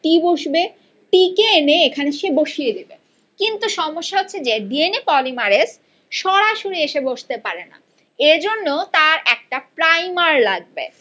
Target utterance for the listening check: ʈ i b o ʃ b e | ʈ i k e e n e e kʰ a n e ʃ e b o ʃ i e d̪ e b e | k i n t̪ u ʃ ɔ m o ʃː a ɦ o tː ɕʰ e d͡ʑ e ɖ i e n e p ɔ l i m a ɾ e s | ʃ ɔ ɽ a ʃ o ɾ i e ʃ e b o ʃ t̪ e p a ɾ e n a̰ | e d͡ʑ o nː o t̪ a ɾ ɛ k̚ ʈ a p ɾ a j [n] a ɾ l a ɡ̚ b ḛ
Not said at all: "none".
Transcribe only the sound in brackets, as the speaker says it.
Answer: m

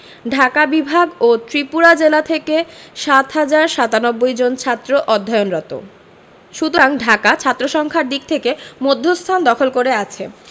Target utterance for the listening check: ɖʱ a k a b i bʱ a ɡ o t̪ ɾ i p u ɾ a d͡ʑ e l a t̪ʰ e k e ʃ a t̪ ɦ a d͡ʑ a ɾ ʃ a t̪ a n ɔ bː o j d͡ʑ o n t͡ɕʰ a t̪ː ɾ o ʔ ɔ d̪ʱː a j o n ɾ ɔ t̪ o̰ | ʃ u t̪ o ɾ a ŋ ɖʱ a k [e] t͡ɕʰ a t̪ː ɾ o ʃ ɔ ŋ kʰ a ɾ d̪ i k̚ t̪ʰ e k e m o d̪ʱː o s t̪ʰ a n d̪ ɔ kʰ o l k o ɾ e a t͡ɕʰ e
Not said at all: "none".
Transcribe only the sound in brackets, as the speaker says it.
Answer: a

